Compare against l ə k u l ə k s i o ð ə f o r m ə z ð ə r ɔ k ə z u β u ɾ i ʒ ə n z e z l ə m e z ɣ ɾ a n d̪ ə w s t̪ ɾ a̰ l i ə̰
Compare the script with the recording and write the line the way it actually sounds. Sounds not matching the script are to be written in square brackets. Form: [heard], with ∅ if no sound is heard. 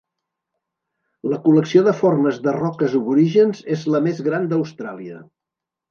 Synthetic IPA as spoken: l ə k u l ə k s i o ð ə f o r m ə z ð ə r ɔ k ə z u β u ɾ i ʒ ə n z e z l ə m e z ɣ ɾ a n d̪ ə w s t̪ ɾ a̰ l i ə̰